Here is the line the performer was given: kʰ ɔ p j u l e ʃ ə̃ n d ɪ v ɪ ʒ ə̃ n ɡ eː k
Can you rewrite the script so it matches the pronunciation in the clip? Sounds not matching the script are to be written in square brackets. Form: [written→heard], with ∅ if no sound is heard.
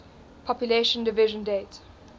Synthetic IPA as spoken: [kʰ→pʰ] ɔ p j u l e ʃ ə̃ n d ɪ v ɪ ʒ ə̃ n [ɡ→d] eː [k→t]